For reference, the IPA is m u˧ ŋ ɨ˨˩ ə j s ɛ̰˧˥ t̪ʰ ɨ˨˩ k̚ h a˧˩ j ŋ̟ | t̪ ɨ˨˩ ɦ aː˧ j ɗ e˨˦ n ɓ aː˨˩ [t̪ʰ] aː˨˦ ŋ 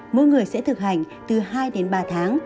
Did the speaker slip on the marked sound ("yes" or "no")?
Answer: no